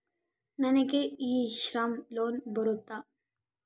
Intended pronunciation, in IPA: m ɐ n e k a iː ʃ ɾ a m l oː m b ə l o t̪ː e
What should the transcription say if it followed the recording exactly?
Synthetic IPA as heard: n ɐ n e k e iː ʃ ɾ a m l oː n b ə ɾ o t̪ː a